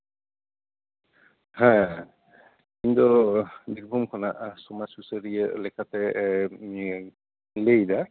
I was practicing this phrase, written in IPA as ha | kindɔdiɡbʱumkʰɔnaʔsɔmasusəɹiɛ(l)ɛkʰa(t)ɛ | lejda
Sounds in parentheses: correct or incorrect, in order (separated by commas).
correct, correct